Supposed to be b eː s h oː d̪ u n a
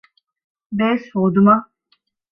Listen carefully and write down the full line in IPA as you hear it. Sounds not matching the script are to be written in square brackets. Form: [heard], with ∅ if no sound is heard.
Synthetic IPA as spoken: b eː s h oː d̪ u [m] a